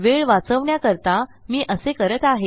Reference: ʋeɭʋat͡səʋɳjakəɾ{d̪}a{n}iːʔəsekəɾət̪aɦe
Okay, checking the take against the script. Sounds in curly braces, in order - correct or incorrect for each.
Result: incorrect: t̪, incorrect: m

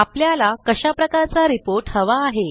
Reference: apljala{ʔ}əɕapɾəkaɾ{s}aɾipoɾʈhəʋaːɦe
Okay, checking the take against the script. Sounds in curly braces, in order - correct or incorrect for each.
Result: incorrect: k, incorrect: t͡s

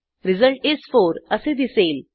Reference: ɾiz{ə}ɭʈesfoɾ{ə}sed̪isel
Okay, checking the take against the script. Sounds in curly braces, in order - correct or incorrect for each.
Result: correct, correct

